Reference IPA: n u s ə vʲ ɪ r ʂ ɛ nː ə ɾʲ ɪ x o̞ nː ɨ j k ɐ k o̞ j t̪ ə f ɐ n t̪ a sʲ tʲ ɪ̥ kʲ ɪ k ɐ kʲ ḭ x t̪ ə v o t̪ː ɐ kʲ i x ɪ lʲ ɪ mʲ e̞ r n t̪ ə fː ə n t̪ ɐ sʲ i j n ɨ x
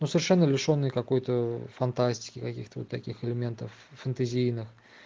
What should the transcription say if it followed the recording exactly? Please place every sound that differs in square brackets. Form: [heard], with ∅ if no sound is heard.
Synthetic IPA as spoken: n u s ə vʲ ɪ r ʂ ɛ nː ə [lʲ] ɪ [ʂ] o̞ nː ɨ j k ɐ k o̞ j t̪ ə f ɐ n t̪ a sʲ tʲ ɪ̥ kʲ ɪ k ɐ kʲ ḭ x t̪ ə v o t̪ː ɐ kʲ i x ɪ lʲ ɪ mʲ e̞ [∅] n t̪ ə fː ə n t̪ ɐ [zʲ] i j n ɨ x